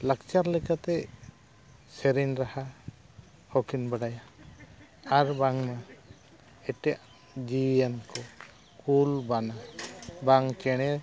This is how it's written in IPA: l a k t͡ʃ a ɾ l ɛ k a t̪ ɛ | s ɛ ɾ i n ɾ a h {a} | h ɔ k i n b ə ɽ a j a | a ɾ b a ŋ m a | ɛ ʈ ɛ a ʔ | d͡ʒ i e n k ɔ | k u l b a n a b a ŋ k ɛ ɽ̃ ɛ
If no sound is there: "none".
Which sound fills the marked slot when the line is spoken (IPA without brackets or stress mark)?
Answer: a